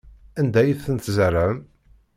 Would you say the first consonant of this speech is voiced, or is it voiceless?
voiced